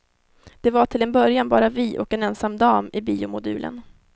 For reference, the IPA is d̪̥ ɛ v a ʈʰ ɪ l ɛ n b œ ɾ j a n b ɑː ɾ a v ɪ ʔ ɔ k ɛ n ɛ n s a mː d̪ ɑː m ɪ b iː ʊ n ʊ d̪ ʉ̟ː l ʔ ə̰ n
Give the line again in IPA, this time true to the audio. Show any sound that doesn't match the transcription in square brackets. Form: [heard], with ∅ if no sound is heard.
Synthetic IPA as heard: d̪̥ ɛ v a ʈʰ ɪ l ɛ n b œ ɾ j a n b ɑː ɾ a v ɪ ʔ ɔ k ɛ n ɛ n s a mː d̪ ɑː m ɪ b iː ʊ [m] ʊ d̪ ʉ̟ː l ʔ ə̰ n